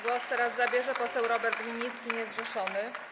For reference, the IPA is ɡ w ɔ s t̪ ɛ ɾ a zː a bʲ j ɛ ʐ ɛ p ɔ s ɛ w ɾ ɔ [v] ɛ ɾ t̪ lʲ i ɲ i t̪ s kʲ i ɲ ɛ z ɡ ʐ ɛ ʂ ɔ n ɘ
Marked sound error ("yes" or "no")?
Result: yes